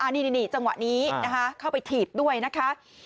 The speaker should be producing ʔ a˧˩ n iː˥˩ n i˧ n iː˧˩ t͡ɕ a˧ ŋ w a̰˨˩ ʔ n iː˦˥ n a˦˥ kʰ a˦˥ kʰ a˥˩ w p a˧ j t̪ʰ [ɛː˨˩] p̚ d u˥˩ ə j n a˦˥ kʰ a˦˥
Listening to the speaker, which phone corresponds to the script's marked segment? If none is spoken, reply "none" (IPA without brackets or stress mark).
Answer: iː˨˩